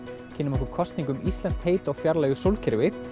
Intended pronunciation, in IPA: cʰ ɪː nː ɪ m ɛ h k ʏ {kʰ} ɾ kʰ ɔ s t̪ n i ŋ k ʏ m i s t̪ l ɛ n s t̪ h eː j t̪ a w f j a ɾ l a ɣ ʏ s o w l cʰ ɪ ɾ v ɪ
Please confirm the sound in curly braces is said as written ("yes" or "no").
no